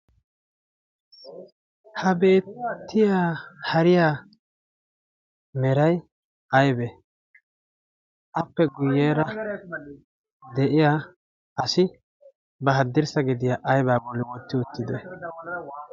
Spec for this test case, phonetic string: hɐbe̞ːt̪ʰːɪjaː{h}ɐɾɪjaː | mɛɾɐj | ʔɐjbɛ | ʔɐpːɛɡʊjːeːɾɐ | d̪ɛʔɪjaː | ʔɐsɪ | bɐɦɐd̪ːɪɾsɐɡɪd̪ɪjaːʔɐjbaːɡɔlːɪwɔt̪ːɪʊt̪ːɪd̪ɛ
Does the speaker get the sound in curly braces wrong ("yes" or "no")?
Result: no